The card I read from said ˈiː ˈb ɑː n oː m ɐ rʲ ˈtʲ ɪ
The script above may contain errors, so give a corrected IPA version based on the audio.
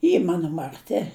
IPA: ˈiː ˈm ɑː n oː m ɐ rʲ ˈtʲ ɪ